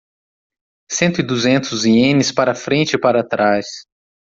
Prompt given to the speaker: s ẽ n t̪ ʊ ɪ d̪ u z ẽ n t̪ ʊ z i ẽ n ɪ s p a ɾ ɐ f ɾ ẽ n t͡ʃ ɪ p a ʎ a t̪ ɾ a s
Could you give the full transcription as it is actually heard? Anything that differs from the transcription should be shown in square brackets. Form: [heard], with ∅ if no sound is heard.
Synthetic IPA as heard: s ẽ n t̪ ʊ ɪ d̪ u z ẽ n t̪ ʊ z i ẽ n ɪ s p a ɾ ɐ f ɾ ẽ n t͡ʃ ɪ p a [ɾ] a t̪ ɾ a s